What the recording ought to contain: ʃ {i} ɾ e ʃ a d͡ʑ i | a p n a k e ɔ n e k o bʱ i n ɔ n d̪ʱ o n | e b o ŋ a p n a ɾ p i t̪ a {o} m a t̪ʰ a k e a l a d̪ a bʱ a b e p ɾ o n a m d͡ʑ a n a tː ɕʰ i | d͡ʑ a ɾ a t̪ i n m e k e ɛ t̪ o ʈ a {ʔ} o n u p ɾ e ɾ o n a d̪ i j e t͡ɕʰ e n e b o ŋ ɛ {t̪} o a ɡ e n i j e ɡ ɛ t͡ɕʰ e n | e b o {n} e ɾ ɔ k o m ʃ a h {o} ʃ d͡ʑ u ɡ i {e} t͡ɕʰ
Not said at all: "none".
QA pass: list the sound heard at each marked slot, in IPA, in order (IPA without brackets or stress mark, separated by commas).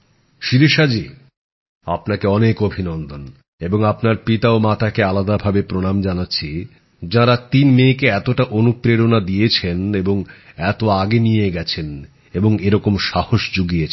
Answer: i, o, ʔ, t̪, ŋ, o, e